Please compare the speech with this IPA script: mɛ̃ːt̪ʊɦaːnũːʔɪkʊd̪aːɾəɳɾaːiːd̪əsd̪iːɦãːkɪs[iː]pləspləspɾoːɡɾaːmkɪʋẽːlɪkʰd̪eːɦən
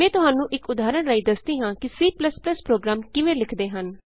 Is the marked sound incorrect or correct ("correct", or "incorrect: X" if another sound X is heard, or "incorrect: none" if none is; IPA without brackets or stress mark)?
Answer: correct